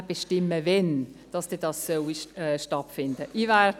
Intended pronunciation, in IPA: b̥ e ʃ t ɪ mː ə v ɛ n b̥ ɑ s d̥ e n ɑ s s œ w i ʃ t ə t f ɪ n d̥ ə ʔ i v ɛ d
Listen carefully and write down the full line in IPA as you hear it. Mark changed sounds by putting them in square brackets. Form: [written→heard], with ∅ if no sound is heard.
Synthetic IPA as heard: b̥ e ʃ t ɪ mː ə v ɛ n [b̥→d̥] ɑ s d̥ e [n→d] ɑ s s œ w i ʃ t [ə→ɑ] t f ɪ n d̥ ə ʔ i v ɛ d